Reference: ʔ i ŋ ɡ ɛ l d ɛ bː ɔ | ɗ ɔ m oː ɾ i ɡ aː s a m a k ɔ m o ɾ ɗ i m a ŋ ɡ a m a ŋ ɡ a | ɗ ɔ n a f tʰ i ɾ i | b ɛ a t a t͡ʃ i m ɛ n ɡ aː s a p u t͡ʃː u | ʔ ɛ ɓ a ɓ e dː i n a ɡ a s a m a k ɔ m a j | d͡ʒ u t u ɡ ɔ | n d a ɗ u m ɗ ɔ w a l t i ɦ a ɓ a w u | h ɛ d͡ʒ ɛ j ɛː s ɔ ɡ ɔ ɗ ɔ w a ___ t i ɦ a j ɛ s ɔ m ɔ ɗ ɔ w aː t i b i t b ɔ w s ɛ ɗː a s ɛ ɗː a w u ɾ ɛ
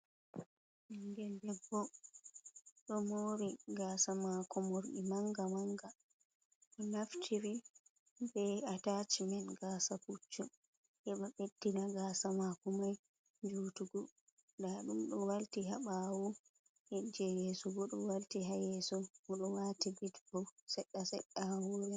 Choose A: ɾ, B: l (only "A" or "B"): B